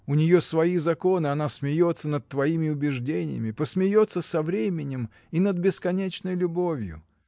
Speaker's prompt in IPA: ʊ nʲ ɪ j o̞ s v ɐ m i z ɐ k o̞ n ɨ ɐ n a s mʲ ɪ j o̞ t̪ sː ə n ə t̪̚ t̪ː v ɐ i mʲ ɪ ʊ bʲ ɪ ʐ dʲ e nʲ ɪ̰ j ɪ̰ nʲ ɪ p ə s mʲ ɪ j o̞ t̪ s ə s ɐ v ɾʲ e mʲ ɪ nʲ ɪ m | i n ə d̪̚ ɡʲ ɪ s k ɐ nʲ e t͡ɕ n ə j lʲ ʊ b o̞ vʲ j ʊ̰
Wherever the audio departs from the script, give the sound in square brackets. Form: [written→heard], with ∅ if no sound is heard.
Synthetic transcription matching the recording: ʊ nʲ ɪ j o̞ s v ɐ [m→∅] i z ɐ k o̞ n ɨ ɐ n a s mʲ ɪ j o̞ t̪ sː ə n ə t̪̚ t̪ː v ɐ i mʲ ɪ ʊ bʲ ɪ ʐ dʲ e nʲ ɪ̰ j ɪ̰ [nʲ→mʲ] ɪ p ə s mʲ ɪ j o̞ t̪ s ə s ɐ v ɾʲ e mʲ ɪ nʲ ɪ m | i n ə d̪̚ [ɡʲ→bʲ] ɪ s k ɐ nʲ e t͡ɕ n ə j lʲ ʊ b o̞ vʲ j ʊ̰